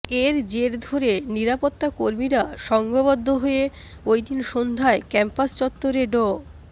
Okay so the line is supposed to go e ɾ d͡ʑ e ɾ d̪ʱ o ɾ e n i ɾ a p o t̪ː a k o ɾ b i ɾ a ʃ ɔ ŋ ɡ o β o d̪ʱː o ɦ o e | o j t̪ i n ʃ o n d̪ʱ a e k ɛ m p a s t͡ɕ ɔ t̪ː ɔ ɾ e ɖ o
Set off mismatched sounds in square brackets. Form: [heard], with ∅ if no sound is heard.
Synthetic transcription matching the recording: e ɾ d͡ʑ e ɾ d̪ʱ o ɾ e n i ɾ a p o t̪ː a k o ɾ [m] i ɾ a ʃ ɔ ŋ ɡ o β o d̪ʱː o ɦ o e | o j [d̪] i n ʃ o n d̪ʱ a e k ɛ m p a s t͡ɕ ɔ t̪ː [o] ɾ e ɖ o

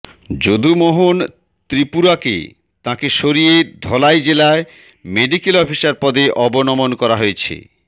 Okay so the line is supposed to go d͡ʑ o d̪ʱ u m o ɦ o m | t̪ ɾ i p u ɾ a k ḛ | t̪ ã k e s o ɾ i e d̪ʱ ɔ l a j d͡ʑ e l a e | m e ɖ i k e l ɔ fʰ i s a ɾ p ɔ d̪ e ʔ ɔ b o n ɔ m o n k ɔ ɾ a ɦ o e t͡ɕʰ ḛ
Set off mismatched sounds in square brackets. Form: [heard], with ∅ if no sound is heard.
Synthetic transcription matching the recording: d͡ʑ o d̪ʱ u m o ɦ o [n] | t̪ ɾ i p u ɾ a k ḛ | t̪ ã k e [ʃ] o ɾ i e d̪ʱ ɔ l a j d͡ʑ e l a e | m e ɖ i k e l ɔ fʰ i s a ɾ p ɔ d̪ e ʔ ɔ b o n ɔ m o n k ɔ ɾ a ɦ o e t͡ɕʰ ḛ

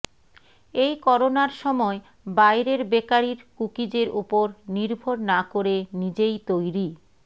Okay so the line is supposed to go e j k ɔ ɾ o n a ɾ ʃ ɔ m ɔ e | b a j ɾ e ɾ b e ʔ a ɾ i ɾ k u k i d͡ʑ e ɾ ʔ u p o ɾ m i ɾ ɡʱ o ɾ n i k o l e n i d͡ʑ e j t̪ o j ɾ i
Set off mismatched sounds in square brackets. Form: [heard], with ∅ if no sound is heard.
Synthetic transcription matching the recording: e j k ɔ ɾ o n a ɾ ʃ ɔ m ɔ e | b a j ɾ e ɾ b e [k] a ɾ i ɾ k u k i d͡ʑ e ɾ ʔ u p o ɾ [n] i ɾ [bʱ] o ɾ n [a] k o [ɾ] e n i d͡ʑ e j t̪ o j ɾ i

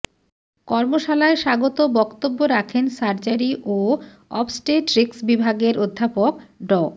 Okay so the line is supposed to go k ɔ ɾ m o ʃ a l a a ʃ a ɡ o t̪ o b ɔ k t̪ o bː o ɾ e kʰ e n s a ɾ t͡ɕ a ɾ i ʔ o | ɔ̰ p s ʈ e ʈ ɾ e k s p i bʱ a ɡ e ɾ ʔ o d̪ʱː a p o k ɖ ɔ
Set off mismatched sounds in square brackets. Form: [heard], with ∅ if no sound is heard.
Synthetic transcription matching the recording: k ɔ ɾ m o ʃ a l a [e] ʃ a ɡ o t̪ o b ɔ k t̪ o bː o ɾ [a] kʰ e n s a ɾ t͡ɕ a ɾ i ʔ o | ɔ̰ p s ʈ e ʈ ɾ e k s [b] i bʱ a ɡ e ɾ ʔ o d̪ʱː a p o k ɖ ɔ

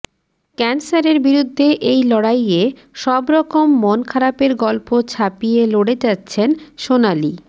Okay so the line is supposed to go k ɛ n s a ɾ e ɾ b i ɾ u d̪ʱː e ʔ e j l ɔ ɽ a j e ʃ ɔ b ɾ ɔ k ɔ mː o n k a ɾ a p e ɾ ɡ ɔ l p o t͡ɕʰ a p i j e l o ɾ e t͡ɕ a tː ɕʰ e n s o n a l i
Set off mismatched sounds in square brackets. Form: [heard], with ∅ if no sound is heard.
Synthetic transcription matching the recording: k ɛ n s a ɾ e ɾ b i ɾ u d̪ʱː e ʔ e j l ɔ ɽ a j e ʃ ɔ b ɾ ɔ k [o] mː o n [kʰ] a ɾ a p e ɾ ɡ ɔ l p o t͡ɕʰ a p i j e l o [ɽ] e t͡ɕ a tː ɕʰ e n [ʃ] o n a l i

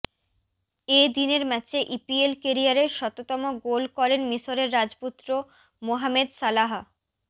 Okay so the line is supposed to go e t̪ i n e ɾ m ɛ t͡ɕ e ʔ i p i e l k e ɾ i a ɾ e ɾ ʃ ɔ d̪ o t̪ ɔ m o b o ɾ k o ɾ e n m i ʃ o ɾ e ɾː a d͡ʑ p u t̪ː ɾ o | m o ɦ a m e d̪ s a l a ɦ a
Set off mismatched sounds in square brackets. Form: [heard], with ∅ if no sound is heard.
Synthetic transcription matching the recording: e [d̪] i n e ɾ m ɛ t͡ɕ e ʔ i p i e l k e ɾ i a ɾ e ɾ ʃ ɔ [t̪] o t̪ ɔ m o [ɡ] o [l] k [ɔ] ɾ e n m i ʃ o ɾ e ɾː a d͡ʑ p u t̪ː ɾ o | m o ɦ a m e d̪ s a l a ɦ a

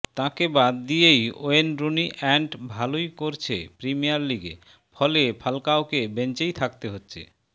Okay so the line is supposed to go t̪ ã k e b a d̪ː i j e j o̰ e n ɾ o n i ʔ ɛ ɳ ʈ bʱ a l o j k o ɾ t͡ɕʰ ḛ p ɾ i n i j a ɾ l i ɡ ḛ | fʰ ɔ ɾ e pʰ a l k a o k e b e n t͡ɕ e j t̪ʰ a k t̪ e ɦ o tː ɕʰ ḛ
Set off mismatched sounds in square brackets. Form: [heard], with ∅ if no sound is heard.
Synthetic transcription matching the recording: t̪ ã k e b a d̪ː i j e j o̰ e n ɾ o n i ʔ ɛ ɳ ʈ bʱ a l o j k o ɾ t͡ɕʰ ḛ p ɾ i [m] i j a ɾ l i ɡ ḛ | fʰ ɔ [l] e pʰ a l k a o k e b e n t͡ɕ e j t̪ʰ a k t̪ e ɦ o tː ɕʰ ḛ

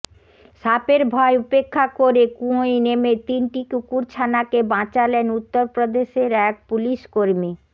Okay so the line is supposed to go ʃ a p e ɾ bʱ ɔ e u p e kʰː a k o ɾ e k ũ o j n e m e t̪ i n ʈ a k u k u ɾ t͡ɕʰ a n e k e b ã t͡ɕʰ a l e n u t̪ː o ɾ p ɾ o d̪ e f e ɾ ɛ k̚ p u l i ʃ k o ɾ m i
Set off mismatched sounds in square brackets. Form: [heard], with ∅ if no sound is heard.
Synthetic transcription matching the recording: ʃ a p e ɾ bʱ ɔ e u p e kʰː a k o ɾ e k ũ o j n e m e t̪ i n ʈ [i] k u k u ɾ t͡ɕʰ a n [a] k e b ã [t͡ɕ] a l e n u t̪ː o ɾ p ɾ o d̪ e [ʃ] e ɾ ɛ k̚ p u l i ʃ k o ɾ m i

